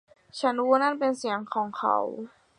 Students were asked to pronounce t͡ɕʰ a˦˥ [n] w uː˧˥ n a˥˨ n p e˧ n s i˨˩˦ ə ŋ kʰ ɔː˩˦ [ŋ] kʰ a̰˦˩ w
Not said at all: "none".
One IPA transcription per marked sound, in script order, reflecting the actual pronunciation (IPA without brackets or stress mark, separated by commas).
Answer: n, ŋ